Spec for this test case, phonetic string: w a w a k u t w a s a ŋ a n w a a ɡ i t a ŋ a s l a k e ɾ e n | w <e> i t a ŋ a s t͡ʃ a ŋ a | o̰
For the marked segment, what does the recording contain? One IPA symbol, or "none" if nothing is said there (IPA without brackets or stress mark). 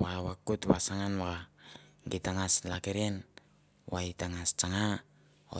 a